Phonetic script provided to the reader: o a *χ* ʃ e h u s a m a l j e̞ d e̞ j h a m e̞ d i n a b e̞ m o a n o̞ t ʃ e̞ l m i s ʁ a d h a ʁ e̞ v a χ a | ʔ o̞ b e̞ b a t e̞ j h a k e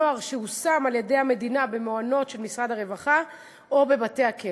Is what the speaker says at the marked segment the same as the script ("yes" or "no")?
no